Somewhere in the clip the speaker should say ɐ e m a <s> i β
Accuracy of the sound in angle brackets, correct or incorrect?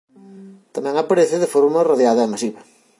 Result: correct